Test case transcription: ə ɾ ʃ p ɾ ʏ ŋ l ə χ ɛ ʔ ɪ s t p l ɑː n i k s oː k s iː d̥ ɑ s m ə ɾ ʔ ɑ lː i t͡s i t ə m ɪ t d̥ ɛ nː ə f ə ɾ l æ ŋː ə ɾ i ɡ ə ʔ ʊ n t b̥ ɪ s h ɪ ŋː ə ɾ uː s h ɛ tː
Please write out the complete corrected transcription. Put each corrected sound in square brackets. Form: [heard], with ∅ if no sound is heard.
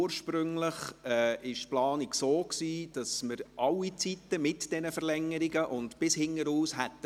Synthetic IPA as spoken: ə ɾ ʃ p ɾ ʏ ŋ l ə χ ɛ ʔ ɪ [ʃ] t p l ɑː n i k s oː k s iː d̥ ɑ s m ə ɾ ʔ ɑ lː i t͡s i t ə m ɪ t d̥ ɛ [n] ə f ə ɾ l [ɛ] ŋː ə ɾ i ɡ ə ʔ ʊ n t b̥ ɪ s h ɪ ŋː ə ɾ uː s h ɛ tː